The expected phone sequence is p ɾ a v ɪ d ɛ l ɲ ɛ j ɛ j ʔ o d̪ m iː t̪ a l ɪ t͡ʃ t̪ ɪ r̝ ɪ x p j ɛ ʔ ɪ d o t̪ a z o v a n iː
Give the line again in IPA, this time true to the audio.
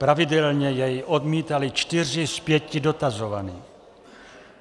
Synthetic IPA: p ɾ a v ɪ d ɛ l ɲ ɛ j ɛ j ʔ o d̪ m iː t̪ a l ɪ t͡ʃ t̪ ɪ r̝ ɪ s p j ɛ c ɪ d o t̪ a z o v a n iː